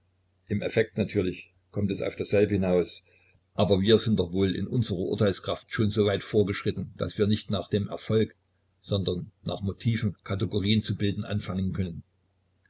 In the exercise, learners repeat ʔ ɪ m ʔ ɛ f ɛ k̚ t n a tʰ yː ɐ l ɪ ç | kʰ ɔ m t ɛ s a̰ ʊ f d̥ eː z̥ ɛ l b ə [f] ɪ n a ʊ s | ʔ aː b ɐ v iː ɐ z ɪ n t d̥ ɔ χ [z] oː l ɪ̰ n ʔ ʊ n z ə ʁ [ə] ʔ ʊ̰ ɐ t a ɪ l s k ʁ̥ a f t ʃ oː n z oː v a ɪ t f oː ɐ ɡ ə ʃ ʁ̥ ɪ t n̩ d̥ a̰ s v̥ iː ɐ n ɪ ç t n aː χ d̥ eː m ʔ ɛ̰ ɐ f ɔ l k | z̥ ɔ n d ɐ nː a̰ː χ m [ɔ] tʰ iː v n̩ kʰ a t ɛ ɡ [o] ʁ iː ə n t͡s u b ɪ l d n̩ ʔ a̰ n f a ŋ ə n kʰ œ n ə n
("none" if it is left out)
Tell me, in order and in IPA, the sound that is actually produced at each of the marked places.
h, v, ɐ, o, o

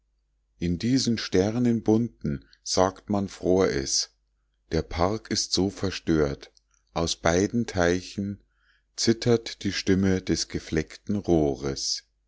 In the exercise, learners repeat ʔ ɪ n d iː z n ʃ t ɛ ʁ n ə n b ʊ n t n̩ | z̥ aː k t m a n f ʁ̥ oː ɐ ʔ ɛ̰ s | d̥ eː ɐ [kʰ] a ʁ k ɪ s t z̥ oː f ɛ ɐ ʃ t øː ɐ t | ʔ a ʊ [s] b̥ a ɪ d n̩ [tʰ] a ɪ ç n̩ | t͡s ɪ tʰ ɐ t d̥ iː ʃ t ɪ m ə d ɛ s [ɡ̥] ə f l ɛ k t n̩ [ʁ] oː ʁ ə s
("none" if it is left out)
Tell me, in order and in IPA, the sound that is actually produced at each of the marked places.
pʰ, s, tʰ, ɡ̥, ʁ

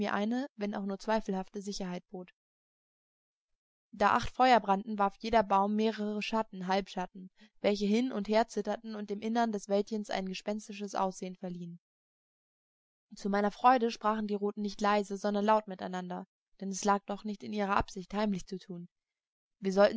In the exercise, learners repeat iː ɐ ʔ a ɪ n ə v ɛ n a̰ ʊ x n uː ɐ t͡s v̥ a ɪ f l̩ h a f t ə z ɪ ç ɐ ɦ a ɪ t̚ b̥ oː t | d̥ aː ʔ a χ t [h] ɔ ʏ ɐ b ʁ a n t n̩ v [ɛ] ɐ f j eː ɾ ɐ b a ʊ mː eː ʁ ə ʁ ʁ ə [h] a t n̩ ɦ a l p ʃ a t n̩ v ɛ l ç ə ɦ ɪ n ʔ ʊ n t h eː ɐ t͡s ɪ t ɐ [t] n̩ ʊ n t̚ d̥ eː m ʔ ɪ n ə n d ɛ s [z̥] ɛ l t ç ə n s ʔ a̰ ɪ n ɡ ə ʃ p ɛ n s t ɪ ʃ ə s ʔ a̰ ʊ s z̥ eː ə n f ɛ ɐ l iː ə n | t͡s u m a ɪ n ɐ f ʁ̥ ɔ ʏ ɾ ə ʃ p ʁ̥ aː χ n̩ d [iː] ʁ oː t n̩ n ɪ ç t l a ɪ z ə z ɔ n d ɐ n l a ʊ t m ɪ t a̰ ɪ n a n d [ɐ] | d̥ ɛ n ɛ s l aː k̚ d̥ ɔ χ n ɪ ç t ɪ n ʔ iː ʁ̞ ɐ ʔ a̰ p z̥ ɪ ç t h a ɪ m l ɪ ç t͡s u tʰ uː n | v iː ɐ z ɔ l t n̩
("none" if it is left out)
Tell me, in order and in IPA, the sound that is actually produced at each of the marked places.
f, a, ʃ, t, v̥, iː, ɐ

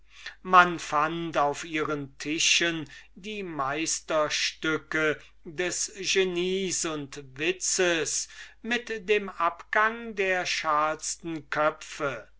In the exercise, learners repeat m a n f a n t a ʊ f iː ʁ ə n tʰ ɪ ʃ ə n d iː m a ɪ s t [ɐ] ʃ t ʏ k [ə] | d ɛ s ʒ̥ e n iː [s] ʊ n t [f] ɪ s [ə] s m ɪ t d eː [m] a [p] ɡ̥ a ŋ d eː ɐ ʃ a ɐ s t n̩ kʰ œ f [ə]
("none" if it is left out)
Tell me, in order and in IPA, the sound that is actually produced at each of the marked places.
ɐ, ə, s, v, ə, m, p, ə

